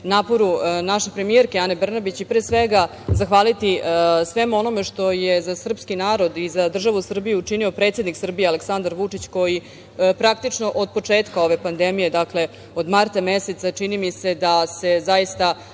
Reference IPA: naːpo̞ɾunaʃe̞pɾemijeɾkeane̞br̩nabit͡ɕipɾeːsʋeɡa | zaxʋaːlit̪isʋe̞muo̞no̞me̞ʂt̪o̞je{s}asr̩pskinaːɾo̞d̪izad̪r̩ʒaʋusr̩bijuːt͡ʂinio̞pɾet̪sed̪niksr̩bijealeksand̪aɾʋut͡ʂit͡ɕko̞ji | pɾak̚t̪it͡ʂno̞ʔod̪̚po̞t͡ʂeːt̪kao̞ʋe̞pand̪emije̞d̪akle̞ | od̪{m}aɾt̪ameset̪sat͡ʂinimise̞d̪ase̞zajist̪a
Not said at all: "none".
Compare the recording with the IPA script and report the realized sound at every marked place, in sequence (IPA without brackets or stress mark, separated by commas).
z, m